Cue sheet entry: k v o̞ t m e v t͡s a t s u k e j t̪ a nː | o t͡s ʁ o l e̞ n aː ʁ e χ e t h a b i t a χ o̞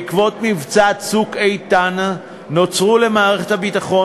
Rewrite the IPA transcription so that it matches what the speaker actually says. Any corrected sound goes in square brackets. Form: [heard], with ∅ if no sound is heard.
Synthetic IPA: k v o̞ t m [i] v t͡s a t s u k e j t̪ a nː | o t͡s ʁ [u] l e̞ [m] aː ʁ e χ e t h a b i t a χ o̞